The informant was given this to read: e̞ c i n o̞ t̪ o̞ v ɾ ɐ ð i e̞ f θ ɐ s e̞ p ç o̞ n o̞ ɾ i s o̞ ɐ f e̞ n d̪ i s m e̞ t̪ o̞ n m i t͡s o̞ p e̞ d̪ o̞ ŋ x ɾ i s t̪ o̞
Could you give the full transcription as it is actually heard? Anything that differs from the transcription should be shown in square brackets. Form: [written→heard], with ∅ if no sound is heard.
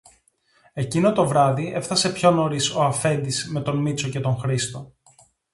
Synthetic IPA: e̞ c i n o̞ t̪ o̞ v ɾ ɐ ð i e̞ f θ ɐ s e̞ p ç o̞ n o̞ ɾ i s o̞ ɐ f e̞ n d̪ i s m e̞ t̪ o̞ n m i t͡s o̞ [p→c] e̞ [d̪→t̪] o̞ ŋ x ɾ i s t̪ o̞